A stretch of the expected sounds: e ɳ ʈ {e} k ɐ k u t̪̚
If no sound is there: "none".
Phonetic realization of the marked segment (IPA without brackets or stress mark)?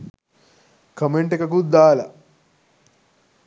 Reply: e